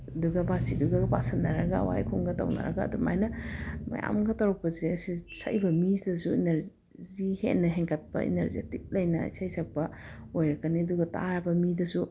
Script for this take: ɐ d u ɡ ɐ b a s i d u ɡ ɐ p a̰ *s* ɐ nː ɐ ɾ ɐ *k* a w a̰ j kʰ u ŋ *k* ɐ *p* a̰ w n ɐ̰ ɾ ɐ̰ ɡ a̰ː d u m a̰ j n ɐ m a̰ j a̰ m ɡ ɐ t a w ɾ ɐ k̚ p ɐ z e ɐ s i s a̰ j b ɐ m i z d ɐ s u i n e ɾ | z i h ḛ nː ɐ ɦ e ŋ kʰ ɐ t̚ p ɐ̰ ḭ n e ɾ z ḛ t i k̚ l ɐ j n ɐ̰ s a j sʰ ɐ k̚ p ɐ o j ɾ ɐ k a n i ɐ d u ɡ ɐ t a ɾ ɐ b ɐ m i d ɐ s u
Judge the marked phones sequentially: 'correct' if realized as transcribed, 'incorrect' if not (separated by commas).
correct, incorrect, incorrect, incorrect